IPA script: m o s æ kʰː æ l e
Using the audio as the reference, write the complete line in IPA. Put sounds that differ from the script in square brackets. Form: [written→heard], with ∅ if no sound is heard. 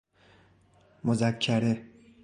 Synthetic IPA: m o [s→z] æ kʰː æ [l→ɾ] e